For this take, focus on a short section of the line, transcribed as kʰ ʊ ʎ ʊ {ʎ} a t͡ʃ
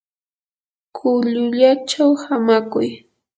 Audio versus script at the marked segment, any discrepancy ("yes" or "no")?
no